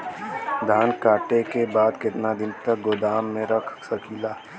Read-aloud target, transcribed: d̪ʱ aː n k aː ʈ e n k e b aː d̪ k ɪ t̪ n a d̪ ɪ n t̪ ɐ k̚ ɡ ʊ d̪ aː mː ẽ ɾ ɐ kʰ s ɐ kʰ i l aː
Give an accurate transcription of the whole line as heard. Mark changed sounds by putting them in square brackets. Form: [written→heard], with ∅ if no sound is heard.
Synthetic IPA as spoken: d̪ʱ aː n k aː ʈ e [n→∅] k e b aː d̪ k ɪ t̪ n a d̪ ɪ n t̪ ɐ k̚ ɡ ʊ d̪ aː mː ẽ ɾ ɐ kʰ s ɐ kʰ i l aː